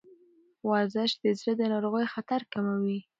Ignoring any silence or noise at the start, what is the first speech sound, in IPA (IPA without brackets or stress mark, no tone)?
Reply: w